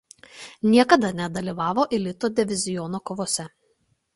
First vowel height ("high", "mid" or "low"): high